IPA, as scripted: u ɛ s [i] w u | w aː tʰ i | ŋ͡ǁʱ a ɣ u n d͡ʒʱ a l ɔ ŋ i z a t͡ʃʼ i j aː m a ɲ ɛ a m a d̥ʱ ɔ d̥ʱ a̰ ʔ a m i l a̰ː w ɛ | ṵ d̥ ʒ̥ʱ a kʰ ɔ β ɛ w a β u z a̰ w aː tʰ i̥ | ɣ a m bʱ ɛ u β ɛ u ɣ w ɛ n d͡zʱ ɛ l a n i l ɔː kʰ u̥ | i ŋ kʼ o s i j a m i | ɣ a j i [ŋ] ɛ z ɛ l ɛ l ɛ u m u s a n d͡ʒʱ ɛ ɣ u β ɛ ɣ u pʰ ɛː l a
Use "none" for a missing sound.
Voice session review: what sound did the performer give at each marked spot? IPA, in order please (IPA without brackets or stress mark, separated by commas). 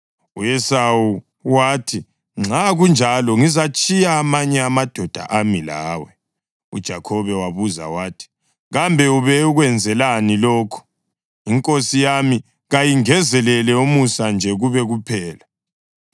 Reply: a, ŋ